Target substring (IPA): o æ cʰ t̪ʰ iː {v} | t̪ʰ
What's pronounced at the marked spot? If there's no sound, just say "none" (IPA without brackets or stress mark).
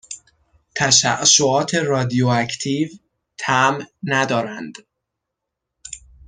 v